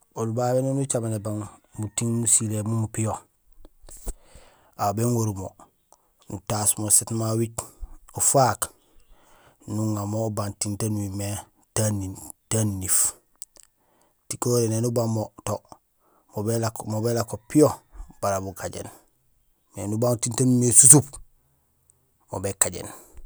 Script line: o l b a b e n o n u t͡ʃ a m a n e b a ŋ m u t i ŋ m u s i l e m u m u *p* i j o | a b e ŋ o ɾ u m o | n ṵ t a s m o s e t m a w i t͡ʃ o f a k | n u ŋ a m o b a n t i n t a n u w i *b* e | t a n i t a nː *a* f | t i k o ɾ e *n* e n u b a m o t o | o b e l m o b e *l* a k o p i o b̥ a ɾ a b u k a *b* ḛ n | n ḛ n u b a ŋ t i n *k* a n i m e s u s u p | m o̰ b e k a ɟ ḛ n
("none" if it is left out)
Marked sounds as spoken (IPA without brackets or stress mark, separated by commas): p, m, i, n, l, ɟ, t